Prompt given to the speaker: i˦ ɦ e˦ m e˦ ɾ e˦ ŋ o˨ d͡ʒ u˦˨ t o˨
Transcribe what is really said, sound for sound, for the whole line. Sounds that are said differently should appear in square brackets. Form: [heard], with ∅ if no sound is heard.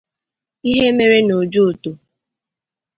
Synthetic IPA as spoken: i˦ ɦ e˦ m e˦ ɾ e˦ [n] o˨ d͡ʒ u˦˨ t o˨